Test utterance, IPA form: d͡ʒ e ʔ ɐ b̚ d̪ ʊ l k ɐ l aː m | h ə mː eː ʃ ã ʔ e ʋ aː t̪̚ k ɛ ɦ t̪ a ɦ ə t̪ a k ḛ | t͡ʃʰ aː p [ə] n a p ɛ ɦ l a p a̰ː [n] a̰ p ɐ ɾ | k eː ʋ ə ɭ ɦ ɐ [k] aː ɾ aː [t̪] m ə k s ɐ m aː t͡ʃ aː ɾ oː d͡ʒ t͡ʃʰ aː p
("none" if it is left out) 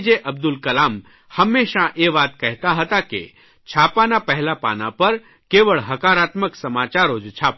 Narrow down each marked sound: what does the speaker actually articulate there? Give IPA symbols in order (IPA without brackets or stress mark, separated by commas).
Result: a, n, k, t̪